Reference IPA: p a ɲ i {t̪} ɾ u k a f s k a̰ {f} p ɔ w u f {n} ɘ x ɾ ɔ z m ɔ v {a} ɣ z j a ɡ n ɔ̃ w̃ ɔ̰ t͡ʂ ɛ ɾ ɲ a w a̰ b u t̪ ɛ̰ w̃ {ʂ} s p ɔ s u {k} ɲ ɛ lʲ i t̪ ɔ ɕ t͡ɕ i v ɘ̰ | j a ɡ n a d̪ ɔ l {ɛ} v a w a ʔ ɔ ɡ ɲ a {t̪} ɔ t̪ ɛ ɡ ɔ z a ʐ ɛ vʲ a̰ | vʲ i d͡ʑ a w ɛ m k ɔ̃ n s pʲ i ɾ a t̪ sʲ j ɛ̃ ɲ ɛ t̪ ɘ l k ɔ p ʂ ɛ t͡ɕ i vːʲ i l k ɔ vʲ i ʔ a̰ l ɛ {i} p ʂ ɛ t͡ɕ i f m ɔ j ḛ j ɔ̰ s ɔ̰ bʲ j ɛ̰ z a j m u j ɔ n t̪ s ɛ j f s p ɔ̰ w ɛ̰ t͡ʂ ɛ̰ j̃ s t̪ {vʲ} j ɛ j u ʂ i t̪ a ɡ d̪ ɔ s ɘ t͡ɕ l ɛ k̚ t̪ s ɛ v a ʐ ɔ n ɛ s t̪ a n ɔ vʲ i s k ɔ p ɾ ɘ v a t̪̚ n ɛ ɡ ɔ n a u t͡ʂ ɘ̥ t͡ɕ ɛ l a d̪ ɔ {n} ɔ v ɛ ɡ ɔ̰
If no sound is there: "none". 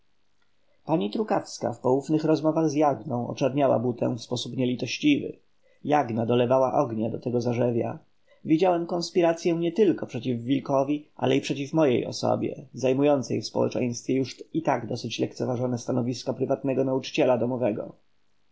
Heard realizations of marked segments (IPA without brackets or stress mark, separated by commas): t̪, f, n, a, f, p, ɛ, d̪, i, fʲ, m